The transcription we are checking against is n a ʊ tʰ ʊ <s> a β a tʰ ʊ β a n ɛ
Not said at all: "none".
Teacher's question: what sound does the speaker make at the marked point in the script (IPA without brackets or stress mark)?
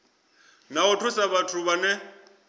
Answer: s